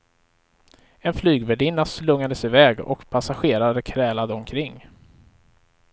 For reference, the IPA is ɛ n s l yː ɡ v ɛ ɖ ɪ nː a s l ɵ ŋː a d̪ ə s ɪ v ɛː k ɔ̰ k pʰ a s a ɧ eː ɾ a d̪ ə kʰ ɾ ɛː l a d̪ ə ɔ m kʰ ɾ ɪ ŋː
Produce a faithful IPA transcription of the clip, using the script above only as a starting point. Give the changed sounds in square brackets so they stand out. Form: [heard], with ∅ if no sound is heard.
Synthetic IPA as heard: ɛ n [f] l yː ɡ v ɛ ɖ ɪ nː a s l ɵ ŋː a d̪ ə s ɪ v ɛː [ɡ] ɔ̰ k pʰ a s a ɧ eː ɾ a d̪ ə kʰ ɾ ɛː l a d̪ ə ɔ m kʰ ɾ ɪ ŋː